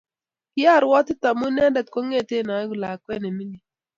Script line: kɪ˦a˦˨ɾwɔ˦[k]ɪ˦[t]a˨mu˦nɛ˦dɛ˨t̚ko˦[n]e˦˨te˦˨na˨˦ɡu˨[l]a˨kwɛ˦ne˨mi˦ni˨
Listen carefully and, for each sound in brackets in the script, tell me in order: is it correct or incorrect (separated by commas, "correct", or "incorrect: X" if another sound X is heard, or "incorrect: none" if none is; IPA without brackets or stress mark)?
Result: incorrect: t, correct, incorrect: ŋ, correct